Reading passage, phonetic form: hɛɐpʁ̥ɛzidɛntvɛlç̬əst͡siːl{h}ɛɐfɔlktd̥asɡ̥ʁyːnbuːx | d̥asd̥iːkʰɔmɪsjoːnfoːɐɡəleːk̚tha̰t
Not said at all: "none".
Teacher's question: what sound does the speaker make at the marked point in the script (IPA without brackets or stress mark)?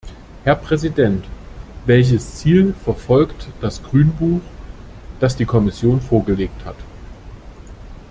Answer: f